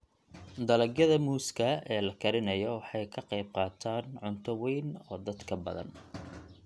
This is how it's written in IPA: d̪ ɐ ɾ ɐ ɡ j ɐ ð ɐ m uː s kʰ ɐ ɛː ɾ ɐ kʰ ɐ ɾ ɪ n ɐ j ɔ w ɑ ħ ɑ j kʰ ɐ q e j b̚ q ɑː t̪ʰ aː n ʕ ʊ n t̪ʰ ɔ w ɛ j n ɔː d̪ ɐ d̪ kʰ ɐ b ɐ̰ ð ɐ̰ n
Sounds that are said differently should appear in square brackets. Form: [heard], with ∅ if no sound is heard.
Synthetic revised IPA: d̪ ɐ [l] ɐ ɡ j ɐ ð ɐ m uː s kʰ ɐ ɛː [l] ɐ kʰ ɐ ɾ ɪ n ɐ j ɔ w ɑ ħ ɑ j kʰ ɐ q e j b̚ q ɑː t̪ʰ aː n ʕ ʊ n t̪ʰ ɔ w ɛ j n ɔː d̪ ɐ d̪ kʰ ɐ b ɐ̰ ð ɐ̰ n